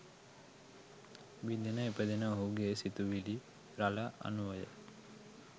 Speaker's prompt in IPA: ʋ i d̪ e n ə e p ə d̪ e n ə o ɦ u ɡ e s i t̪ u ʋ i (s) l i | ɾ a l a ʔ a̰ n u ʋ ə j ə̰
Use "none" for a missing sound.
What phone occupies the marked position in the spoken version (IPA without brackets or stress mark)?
none